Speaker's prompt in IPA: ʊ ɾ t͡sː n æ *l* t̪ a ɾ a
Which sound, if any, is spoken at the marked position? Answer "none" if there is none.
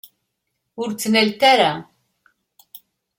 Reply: l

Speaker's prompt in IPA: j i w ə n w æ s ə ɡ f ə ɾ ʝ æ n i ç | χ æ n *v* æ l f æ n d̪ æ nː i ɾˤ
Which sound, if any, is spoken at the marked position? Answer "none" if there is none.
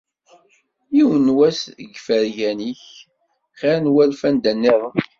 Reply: w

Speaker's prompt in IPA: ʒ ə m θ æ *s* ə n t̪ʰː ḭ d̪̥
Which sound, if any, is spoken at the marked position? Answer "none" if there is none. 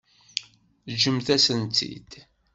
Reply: s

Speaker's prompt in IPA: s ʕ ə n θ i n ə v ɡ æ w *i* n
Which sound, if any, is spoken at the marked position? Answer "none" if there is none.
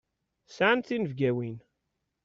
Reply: i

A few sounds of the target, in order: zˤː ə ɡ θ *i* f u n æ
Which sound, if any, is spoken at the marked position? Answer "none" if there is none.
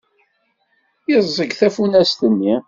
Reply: æ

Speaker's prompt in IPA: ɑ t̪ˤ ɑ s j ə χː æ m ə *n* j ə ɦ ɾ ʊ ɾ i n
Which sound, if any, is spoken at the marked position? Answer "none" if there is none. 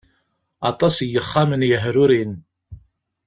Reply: n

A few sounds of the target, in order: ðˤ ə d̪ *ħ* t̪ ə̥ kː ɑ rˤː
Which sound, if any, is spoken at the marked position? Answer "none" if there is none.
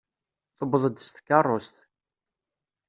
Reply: s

